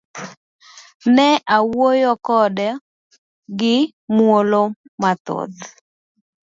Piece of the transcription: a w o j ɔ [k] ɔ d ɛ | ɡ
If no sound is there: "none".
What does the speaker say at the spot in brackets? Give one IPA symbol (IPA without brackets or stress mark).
k